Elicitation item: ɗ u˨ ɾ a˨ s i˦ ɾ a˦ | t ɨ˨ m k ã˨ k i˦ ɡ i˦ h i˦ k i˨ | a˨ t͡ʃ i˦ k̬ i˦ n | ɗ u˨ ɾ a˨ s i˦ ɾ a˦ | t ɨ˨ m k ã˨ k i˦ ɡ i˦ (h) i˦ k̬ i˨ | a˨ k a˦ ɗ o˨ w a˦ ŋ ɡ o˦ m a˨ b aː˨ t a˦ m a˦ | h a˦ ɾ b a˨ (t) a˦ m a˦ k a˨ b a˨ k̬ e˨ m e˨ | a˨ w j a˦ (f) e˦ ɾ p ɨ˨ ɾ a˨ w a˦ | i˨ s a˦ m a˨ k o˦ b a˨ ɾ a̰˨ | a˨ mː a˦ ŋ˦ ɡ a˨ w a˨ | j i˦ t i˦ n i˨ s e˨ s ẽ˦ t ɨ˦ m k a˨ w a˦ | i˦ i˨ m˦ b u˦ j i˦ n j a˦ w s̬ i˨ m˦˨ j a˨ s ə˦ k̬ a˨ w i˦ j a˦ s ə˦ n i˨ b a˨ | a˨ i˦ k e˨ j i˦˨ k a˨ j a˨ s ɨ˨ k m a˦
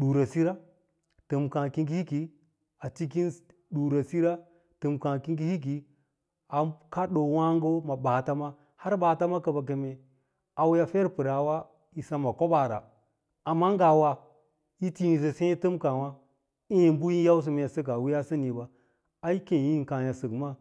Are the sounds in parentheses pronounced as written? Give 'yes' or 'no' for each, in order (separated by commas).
yes, yes, yes